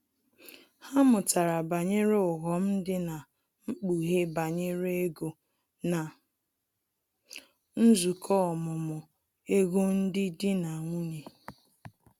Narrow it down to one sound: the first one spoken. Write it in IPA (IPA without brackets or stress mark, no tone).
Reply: h